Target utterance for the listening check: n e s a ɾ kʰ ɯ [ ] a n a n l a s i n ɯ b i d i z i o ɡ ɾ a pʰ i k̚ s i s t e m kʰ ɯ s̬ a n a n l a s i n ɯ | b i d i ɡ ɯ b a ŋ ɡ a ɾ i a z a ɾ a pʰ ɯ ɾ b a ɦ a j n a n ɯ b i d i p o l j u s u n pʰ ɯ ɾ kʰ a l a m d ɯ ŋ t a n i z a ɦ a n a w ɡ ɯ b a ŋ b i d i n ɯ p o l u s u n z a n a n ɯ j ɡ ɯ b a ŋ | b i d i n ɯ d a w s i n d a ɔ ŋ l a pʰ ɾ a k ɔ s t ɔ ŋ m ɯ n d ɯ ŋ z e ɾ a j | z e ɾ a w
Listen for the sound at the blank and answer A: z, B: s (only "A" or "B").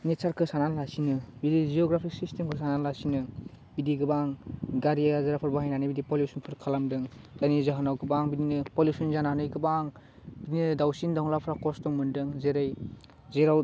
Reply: B